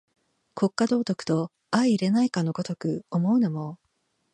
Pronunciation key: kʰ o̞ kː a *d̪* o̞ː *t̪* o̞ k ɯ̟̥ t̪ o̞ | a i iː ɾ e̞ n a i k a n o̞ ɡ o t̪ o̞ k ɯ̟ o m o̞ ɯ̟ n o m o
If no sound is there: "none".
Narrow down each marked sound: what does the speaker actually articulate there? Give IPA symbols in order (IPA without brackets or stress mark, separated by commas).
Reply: d̪, t̪